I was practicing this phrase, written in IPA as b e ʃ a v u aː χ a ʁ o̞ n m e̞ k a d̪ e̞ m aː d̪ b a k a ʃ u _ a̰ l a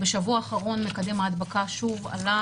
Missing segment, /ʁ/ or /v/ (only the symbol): v